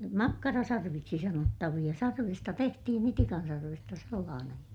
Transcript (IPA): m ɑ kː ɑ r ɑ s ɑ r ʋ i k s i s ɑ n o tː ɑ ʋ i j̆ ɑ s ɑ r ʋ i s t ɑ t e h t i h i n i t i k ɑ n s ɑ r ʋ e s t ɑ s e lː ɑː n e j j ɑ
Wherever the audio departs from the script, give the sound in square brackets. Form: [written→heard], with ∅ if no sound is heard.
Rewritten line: m ɑ kː ɑ r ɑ s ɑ r ʋ i k s i s ɑ n o tː ɑ ʋ i j̆ ɑ s ɑ r ʋ i s t ɑ t e h t i h i n i t i k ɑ n s ɑ r ʋ e s t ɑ s e lː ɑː n e j j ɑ

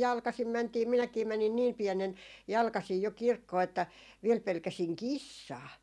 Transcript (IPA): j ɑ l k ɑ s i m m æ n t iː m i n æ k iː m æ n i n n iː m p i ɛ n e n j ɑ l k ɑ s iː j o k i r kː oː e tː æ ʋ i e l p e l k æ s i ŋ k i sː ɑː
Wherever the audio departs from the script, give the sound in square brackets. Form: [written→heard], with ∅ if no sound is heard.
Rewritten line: j ɑ l k ɑ s i m m æ n t iː m i n æ k iː m æ n i n n iː m p i ɛ n e n j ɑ l k ɑ s iː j o k i r kː oː e tː æ ʋ i e l p e l k æ s i ŋ k i sː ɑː

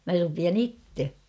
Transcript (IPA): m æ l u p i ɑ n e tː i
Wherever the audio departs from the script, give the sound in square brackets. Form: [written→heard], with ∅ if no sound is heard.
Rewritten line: m æ [l→r] u p i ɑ n [e→i] tː [i→e]

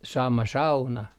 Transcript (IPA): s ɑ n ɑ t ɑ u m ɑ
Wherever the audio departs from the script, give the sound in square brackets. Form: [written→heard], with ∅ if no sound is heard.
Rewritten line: s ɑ [n→m] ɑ [t→s] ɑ u [m→n] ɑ

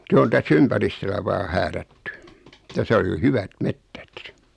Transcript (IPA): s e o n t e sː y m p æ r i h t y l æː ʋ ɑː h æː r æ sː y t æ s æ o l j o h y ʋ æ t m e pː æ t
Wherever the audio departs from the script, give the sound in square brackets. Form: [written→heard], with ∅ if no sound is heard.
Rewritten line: s e o n t [e→æ] sː y m p æ r i [h→s] t [y→ø] l [æː→æ] ʋ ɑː h æː r æ [sː→tː] y t æ s æ o l j o h y ʋ æ t m e [pː→tː] æ t

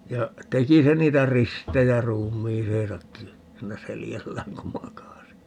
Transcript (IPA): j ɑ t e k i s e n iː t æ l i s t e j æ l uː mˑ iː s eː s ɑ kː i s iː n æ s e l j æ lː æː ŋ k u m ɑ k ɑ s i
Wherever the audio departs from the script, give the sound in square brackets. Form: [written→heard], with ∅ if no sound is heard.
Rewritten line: j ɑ t e k i s e n iː t æ [l→r] i s t e j æ [l→r] uː mˑ iː s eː s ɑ kː i s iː n æ s e l j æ lː æː ŋ k u m ɑ k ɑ s i

